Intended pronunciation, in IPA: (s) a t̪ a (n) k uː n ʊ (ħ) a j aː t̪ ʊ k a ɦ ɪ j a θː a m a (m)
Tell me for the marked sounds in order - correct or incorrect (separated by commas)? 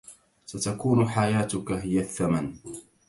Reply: correct, incorrect, correct, incorrect